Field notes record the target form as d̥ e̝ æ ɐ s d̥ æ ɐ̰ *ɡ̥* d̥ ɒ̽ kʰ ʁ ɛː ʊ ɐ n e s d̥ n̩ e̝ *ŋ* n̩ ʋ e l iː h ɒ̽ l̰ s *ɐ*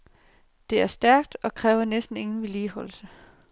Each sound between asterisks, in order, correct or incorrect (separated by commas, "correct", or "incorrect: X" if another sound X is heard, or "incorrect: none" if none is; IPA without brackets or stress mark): correct, correct, incorrect: ə